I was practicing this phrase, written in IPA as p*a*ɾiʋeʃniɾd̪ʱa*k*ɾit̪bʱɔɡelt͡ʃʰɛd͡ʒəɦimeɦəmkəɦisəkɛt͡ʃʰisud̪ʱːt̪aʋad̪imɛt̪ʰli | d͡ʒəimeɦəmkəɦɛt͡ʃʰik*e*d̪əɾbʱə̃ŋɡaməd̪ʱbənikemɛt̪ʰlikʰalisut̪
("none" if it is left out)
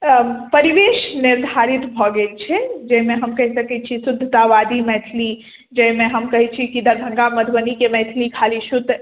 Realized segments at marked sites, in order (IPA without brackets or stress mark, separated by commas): ə, none, i